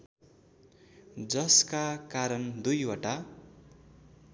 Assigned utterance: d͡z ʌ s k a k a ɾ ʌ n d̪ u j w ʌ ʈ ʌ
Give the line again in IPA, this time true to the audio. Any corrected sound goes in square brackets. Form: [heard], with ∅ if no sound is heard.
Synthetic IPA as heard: d͡z ʌ s k a k a ɾ ʌ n d̪ u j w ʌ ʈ [a]